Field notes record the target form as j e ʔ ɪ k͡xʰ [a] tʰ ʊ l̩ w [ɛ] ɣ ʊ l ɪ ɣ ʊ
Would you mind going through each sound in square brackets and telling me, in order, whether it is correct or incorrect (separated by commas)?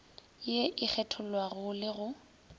incorrect, incorrect